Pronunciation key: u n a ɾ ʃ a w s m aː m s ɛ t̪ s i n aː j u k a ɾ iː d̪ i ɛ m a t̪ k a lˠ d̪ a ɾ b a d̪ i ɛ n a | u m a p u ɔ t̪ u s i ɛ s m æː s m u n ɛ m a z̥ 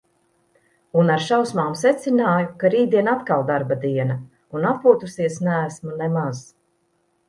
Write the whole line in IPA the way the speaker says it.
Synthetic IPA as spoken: u n a ɾ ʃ a w s m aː m s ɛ t̪ s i n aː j u k a ɾ iː d̪ i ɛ n a t̪ k a lˠ d̪ a ɾ b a d̪ i ɛ n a | u n a p u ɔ t̪ u s i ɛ s n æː s m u n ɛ m a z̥